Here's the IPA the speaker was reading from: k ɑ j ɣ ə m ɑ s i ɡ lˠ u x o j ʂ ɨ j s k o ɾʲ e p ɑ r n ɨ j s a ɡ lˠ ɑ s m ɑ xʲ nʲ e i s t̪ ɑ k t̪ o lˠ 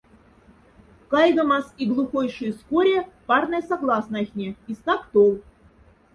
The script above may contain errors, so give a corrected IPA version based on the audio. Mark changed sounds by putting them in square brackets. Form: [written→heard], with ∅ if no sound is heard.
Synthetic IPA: k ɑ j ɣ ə m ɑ s i ɡ lˠ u x o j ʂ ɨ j s k o ɾʲ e p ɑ r n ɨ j s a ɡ lˠ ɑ s [m→n] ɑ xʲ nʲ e i s t̪ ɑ k t̪ o lˠ